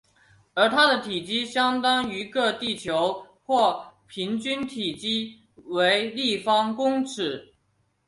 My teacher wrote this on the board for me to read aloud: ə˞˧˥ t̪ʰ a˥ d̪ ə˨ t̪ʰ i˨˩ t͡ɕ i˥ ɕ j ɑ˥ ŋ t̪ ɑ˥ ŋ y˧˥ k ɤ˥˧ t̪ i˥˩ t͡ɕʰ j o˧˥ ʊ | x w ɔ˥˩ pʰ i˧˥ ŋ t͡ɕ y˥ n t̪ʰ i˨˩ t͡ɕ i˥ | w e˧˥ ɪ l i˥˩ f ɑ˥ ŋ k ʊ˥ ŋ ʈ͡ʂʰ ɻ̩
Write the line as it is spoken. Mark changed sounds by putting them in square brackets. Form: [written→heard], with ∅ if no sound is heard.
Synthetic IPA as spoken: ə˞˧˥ t̪ʰ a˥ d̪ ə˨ t̪ʰ i˨˩ t͡ɕ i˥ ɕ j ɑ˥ ŋ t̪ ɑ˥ ŋ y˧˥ k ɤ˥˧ t̪ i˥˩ t͡ɕʰ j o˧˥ ʊ | x w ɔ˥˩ pʰ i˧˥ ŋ t͡ɕ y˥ n t̪ʰ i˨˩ t͡ɕ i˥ | w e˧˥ ɪ l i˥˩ f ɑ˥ ŋ k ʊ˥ ŋ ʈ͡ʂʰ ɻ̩